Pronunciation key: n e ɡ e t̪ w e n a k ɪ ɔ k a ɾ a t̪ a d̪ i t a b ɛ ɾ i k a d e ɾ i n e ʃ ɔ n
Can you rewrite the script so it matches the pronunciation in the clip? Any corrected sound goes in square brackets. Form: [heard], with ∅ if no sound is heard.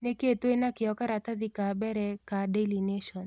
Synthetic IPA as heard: n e [k] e t̪ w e n a k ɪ ɔ k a ɾ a t̪ a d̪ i [k] a b ɛ ɾ [ɛ] k a d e [l] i n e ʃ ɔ n